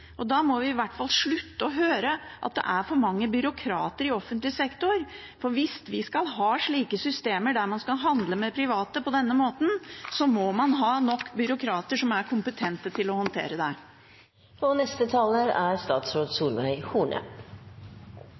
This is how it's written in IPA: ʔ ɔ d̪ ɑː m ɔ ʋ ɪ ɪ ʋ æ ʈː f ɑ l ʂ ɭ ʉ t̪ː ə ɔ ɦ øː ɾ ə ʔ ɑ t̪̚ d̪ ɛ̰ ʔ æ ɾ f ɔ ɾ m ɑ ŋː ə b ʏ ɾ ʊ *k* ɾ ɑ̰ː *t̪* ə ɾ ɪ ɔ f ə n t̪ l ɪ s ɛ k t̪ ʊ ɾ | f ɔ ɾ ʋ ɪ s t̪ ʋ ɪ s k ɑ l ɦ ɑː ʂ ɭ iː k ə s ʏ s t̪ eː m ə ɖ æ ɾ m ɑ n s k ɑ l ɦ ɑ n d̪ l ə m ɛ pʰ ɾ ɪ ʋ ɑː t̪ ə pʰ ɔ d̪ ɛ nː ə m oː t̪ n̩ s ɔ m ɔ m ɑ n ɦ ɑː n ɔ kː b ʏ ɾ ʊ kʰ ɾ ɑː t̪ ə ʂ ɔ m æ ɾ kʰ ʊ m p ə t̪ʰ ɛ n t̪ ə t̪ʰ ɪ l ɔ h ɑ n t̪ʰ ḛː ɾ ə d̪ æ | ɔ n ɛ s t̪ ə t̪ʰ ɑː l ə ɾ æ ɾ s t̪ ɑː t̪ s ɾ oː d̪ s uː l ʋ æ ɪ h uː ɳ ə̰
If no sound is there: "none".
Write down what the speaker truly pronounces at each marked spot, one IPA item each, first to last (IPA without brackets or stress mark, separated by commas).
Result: kʰ, t̪